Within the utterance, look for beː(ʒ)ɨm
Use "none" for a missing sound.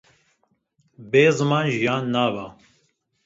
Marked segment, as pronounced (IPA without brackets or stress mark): z